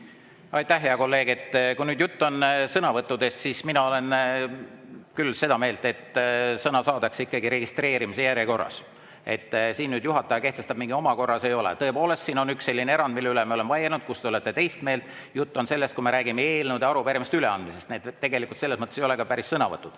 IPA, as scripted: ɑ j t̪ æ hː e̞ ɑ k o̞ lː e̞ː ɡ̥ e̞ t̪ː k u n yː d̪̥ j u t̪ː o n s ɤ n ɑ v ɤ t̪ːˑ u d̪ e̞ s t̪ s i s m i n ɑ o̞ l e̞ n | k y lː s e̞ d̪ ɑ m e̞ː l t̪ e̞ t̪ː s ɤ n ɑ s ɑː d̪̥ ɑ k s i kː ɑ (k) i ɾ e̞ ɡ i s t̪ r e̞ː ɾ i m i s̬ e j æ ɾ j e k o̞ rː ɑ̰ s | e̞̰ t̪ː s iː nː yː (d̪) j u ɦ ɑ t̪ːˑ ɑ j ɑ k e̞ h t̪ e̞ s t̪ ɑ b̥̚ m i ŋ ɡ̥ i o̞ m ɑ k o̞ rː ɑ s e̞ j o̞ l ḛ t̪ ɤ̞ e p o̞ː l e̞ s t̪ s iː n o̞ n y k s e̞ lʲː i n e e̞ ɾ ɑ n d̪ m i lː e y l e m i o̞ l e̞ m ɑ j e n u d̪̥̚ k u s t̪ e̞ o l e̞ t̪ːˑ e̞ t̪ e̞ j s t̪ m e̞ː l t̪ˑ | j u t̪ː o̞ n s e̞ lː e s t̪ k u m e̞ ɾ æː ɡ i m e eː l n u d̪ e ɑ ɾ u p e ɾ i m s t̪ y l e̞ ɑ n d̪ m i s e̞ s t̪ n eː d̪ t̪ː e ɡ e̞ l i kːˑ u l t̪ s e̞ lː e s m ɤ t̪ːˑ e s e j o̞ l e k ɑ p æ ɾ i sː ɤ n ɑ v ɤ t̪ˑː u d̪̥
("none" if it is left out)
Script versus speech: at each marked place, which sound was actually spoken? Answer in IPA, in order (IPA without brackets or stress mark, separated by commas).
ɡ, d̪